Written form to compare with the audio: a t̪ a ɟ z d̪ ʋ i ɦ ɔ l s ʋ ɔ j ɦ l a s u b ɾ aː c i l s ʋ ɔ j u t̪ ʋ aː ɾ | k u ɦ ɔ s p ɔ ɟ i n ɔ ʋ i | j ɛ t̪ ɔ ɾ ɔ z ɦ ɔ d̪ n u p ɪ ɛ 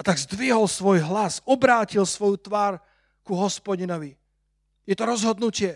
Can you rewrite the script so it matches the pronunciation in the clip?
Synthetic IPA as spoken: a t̪ a ɡ z d̪ ʋ i ɦ ɔ l s ʋ ɔ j ɦ l a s ɔ b ɾ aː c i l s ʋ ɔ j u t̪ ʋ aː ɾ | k u ɦ ɔ s p ɔ ɟ i n ɔ ʋ i | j ɛ t̪ ɔ ɾ ɔ z ɦ ɔ d̪ n u c ɪ ɛ